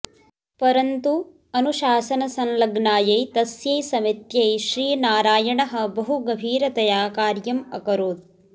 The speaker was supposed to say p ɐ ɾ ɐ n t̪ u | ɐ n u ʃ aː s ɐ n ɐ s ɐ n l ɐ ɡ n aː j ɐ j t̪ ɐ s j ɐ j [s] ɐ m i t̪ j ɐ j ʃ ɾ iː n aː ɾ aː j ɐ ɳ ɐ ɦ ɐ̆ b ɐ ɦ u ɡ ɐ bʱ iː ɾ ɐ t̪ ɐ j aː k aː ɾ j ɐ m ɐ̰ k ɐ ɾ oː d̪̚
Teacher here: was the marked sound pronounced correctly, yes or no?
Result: yes